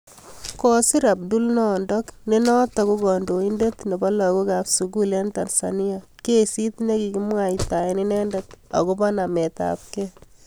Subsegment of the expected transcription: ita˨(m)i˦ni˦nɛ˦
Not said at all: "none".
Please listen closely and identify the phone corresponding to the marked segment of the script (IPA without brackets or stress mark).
none